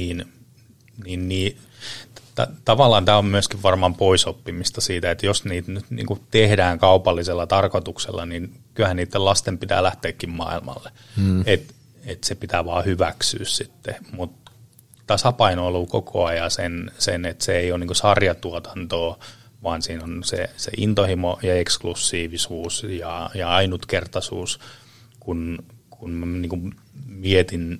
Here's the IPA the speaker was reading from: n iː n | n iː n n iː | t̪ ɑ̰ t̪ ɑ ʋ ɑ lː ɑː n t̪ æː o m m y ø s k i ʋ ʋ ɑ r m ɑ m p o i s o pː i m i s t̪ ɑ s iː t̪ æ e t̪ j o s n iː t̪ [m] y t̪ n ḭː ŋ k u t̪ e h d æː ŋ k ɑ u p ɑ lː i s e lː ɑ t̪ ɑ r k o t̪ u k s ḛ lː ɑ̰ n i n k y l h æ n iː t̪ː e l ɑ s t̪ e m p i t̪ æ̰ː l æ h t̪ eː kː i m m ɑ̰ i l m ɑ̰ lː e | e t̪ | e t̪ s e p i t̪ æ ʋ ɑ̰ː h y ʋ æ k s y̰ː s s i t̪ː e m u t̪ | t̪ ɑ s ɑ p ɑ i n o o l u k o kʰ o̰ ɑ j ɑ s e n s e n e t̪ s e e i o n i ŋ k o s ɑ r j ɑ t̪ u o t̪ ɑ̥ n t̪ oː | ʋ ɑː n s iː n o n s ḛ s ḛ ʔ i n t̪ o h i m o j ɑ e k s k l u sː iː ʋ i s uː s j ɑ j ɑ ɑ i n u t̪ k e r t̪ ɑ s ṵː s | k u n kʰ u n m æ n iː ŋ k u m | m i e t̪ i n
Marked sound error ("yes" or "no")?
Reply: yes